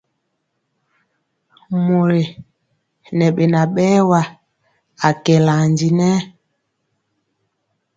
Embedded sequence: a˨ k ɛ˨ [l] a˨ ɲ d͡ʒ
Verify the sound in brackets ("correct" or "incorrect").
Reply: correct